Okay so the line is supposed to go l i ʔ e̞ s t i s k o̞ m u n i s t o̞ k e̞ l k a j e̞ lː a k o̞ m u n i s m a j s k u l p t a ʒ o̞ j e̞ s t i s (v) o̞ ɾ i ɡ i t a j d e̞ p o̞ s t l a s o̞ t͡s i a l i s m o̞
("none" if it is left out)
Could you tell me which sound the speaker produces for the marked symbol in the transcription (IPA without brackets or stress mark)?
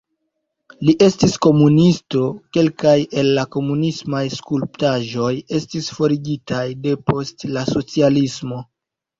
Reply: f